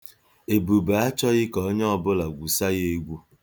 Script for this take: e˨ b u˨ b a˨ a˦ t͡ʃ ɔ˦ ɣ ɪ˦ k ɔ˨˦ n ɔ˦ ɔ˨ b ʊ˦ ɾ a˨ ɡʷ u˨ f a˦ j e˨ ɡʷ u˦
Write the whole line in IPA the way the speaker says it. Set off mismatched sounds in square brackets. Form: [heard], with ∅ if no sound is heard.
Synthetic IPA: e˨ b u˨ b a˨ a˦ t͡ʃ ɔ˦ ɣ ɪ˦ k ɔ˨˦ [ɲ] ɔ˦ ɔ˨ b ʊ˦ [l] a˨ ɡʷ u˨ [s] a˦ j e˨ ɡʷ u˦